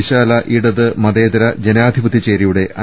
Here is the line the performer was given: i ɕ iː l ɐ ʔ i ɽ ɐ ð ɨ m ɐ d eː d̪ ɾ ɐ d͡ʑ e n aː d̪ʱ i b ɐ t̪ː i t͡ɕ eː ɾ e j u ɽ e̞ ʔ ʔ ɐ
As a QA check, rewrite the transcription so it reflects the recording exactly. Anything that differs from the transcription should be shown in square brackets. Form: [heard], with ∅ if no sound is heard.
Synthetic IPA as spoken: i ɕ [aː] l ɐ ʔ i ɽ ɐ ð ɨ m ɐ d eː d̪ ɾ ɐ d͡ʑ e n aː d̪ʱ i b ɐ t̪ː i t͡ɕ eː ɾ [i] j u ɽ e̞ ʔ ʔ ɐ